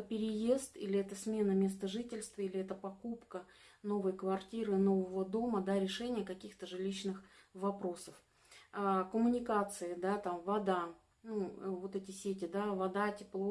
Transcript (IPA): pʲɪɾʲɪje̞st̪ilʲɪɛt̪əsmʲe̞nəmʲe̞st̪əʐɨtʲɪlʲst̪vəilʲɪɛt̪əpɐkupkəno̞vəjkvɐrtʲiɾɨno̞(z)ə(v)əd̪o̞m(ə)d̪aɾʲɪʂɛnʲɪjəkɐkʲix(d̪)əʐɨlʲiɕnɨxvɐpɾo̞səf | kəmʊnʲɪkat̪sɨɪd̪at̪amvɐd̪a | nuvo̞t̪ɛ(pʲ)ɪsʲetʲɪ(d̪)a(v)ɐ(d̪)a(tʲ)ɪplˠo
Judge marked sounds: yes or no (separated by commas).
no, yes, yes, no, no, yes, yes, yes, yes